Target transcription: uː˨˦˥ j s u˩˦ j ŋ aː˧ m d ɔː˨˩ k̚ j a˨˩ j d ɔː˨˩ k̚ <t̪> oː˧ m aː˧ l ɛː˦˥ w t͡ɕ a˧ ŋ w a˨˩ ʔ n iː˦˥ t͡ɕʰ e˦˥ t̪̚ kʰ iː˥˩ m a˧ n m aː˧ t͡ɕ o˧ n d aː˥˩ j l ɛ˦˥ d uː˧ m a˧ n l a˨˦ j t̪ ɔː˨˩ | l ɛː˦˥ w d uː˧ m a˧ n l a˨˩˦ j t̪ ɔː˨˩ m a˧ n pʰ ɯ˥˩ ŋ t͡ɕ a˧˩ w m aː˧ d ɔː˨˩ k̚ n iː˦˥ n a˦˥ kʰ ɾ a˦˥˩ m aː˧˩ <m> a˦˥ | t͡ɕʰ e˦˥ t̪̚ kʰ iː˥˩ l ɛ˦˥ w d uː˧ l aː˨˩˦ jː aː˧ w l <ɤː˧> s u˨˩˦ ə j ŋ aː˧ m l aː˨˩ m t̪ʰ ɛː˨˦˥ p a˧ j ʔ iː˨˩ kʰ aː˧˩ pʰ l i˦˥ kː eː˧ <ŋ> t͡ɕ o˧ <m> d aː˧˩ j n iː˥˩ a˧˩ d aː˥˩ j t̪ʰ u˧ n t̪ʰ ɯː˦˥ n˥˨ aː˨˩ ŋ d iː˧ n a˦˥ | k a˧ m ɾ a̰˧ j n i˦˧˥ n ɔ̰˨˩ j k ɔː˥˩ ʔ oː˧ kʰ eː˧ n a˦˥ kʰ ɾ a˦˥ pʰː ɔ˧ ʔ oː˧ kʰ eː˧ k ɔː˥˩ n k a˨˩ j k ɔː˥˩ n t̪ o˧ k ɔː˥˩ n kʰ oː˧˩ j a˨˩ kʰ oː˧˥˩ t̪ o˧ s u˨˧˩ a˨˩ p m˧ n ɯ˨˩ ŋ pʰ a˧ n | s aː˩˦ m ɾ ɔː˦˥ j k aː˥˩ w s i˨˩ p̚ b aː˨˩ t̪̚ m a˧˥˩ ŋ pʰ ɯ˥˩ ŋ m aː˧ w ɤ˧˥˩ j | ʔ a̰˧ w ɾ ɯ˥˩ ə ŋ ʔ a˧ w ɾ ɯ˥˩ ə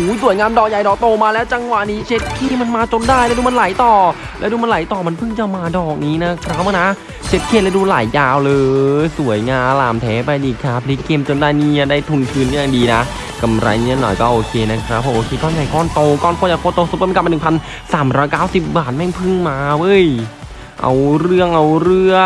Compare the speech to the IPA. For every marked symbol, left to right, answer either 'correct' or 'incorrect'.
correct, incorrect: n, correct, incorrect: m, incorrect: n

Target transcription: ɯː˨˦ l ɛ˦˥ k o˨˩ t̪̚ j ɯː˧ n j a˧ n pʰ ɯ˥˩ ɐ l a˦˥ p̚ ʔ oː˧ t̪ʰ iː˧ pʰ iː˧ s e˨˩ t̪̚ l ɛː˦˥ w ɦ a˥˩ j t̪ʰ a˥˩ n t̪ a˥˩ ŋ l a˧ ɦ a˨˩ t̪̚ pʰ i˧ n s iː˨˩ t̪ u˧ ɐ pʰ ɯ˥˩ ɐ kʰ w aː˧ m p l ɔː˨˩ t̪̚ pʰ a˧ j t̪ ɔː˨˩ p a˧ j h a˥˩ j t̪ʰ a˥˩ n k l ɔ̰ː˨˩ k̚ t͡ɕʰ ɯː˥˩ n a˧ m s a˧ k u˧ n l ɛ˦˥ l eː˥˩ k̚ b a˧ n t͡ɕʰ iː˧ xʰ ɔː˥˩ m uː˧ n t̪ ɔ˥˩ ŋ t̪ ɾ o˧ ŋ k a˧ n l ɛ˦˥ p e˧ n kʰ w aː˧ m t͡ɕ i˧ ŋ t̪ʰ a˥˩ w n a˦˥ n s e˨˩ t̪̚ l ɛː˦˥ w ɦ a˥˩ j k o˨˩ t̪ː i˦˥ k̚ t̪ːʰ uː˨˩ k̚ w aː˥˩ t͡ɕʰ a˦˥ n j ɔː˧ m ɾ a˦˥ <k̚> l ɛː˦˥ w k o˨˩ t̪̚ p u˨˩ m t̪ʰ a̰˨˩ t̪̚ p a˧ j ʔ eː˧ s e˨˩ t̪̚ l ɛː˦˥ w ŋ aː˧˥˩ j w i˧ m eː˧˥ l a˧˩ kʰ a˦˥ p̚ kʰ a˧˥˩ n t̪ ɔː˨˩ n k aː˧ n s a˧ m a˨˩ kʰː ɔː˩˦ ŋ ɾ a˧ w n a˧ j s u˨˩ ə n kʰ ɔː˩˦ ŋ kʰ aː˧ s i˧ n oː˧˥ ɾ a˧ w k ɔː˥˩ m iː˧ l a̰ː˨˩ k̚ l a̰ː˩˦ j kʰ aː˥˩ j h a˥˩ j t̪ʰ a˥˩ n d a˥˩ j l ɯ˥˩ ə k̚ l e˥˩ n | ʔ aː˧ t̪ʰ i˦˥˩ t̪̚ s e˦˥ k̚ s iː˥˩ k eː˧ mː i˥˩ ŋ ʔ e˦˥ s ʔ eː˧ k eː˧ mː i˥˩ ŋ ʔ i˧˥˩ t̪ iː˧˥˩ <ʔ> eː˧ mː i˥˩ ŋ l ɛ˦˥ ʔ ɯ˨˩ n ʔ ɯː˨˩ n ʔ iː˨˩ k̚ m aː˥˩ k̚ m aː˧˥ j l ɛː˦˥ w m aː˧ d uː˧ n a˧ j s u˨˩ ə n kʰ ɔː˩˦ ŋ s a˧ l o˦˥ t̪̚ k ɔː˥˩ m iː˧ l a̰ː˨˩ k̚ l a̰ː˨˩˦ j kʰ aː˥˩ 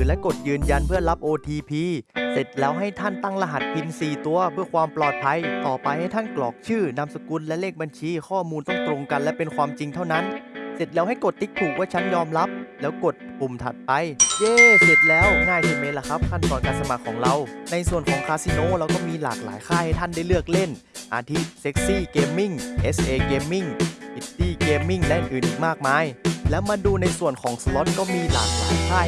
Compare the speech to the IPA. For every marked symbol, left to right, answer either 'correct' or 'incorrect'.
incorrect: p̚, incorrect: k

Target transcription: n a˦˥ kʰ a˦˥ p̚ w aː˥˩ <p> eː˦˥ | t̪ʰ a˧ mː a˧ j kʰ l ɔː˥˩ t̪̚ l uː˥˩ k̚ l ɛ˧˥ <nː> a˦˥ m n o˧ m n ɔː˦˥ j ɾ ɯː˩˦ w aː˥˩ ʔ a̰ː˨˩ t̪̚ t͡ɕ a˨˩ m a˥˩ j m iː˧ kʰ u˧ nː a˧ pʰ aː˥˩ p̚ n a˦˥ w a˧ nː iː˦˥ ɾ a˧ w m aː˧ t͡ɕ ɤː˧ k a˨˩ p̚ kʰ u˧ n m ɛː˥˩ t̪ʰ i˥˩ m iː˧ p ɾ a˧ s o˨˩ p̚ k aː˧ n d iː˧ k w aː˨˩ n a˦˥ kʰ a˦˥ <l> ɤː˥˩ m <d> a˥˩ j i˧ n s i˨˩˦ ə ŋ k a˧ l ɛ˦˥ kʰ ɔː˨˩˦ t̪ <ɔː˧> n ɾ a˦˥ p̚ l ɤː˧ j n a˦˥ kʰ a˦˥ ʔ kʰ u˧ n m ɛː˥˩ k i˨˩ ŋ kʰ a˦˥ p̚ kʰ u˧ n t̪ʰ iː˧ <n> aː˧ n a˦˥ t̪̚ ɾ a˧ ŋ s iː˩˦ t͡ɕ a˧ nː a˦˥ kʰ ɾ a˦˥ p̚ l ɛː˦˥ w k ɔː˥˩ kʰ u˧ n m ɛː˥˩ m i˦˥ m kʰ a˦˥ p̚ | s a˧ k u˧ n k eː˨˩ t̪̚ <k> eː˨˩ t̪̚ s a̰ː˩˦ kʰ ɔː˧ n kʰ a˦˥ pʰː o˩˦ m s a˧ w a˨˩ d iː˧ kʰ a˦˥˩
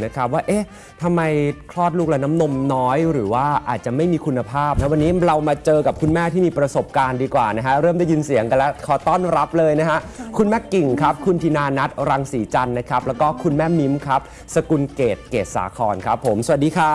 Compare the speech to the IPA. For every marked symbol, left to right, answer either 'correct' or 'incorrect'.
incorrect: ʔ, incorrect: n, incorrect: ɾ, correct, incorrect: ɔː˥˩, correct, correct

